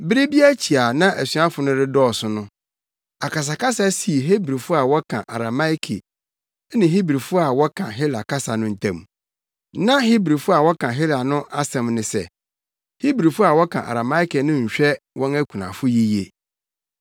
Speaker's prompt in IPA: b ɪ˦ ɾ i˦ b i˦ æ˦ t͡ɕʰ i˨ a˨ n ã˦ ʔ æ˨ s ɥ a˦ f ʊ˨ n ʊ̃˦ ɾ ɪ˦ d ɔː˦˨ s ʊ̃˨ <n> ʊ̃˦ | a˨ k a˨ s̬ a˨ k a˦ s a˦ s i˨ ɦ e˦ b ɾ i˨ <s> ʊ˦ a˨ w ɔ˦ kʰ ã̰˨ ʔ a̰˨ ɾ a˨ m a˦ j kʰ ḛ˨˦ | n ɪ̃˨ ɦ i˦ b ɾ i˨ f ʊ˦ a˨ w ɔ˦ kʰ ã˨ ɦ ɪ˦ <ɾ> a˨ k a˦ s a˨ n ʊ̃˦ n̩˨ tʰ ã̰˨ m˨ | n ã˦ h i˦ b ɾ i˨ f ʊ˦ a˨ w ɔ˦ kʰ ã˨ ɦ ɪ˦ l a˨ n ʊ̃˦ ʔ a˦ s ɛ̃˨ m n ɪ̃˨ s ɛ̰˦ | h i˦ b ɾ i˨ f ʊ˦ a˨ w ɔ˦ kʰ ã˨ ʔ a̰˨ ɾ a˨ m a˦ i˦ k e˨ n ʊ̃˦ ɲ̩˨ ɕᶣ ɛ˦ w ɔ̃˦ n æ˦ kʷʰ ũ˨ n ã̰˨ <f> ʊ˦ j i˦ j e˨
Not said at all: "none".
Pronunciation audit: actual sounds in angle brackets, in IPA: n, f, l, f

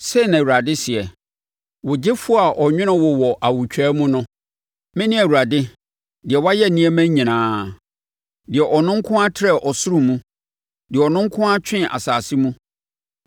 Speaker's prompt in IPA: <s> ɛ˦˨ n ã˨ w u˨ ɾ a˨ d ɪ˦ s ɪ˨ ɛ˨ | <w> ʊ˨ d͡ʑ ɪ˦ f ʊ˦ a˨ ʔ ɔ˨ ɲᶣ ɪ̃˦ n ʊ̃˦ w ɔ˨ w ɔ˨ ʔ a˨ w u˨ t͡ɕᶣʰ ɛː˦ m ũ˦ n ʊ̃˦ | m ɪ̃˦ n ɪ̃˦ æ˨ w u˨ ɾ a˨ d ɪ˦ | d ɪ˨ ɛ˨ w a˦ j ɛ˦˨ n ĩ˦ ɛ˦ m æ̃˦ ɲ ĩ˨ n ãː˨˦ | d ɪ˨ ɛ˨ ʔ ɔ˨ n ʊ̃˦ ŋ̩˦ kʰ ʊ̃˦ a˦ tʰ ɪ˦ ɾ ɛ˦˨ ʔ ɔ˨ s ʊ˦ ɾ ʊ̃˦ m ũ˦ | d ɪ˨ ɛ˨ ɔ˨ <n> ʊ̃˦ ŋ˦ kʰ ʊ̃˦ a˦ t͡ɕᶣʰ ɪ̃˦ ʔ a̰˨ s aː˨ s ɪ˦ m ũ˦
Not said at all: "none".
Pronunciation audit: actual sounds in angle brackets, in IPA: s, w, n

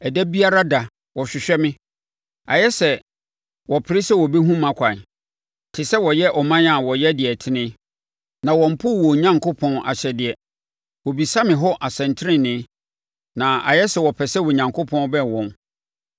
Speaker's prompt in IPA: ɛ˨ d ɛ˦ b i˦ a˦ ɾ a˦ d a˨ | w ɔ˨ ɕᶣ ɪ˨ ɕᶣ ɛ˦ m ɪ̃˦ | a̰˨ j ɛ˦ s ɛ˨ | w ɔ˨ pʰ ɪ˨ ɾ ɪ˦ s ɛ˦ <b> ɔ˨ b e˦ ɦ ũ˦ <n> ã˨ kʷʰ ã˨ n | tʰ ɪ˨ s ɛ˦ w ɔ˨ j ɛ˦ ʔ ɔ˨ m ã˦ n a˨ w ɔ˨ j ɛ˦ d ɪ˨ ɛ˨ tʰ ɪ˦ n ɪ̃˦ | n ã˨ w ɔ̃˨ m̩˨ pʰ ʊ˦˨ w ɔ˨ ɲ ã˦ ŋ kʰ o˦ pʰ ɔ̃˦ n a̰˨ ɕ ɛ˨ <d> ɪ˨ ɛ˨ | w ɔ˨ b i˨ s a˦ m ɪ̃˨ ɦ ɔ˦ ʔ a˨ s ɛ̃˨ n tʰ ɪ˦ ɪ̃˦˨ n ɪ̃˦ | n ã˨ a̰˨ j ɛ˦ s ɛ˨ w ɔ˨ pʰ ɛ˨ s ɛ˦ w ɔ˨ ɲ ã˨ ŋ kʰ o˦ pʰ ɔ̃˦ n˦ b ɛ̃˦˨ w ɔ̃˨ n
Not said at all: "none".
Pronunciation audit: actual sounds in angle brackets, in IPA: w, m, d

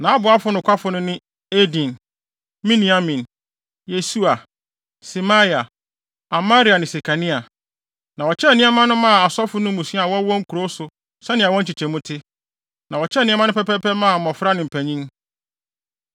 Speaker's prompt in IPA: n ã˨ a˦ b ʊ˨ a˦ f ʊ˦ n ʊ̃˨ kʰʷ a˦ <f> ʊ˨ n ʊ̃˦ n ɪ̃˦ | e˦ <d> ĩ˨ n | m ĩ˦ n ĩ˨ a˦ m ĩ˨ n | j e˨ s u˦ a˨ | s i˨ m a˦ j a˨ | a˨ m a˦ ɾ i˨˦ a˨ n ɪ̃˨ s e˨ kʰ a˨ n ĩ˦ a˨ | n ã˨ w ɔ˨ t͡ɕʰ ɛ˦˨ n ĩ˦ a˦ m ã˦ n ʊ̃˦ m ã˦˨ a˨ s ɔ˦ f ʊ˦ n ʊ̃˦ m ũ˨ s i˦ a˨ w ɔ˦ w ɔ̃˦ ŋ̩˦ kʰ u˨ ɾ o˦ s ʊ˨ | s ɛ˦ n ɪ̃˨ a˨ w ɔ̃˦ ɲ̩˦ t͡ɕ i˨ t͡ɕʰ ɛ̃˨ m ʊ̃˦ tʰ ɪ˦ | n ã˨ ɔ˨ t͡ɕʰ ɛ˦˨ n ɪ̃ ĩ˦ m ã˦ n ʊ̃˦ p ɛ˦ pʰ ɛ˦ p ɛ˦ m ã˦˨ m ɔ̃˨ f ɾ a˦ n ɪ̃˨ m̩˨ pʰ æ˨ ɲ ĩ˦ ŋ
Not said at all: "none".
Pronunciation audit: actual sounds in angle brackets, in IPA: f, d

